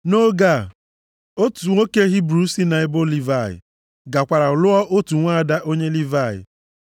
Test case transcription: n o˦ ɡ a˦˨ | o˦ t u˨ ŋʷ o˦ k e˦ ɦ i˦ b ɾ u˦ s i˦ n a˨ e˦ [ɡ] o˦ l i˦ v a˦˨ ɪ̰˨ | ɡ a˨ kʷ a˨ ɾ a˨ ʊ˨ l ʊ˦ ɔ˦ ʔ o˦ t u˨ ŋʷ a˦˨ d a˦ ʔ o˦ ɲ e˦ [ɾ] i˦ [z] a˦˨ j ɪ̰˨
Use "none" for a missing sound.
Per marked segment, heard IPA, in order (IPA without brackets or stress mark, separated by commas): b, l, v